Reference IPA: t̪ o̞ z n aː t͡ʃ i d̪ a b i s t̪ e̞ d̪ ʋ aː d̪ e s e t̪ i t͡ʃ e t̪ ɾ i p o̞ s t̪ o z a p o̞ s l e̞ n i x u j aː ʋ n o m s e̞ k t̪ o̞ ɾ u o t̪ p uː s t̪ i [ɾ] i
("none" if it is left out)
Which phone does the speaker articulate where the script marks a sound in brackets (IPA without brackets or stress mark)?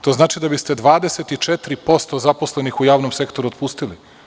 l